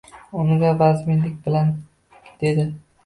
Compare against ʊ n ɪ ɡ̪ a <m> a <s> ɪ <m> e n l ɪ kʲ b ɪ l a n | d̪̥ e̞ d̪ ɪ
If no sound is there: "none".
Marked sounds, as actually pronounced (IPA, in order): b, z, m

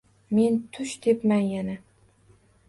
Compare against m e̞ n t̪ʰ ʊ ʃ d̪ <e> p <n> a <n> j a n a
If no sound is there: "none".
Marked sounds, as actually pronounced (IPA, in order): e, m, n

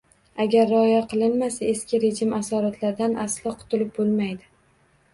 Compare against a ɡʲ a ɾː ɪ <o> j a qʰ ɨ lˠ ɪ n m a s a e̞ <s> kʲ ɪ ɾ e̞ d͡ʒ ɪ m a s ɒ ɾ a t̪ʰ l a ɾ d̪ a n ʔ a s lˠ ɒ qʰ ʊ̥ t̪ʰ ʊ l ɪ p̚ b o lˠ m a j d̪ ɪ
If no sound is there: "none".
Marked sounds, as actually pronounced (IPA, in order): ɒ, s

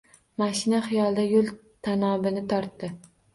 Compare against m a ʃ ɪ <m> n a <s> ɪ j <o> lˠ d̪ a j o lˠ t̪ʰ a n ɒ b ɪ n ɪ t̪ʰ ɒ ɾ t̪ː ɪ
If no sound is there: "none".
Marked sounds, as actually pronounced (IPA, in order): none, χ, ɒ

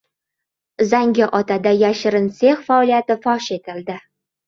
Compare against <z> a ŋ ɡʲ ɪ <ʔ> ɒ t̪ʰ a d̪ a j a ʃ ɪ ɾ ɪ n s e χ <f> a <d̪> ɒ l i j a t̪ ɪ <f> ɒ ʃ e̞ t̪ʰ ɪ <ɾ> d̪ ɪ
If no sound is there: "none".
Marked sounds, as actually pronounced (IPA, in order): z, ʔ, f, none, f, l

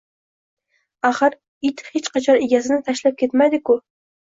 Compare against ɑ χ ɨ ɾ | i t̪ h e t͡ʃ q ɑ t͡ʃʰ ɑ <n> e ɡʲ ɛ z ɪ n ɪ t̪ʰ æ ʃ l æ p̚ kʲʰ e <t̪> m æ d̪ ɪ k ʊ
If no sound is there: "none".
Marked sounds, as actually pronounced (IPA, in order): n, t̪

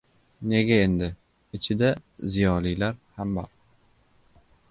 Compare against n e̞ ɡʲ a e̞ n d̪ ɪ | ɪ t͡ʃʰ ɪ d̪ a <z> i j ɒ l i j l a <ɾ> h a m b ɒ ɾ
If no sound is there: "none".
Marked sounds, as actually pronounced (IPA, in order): z, ɾ

